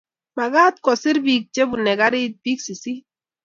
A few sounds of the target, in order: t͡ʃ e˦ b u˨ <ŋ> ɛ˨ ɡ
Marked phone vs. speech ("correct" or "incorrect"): incorrect